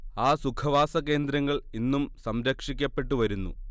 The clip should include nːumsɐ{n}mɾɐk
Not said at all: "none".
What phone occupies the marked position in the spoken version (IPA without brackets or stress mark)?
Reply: none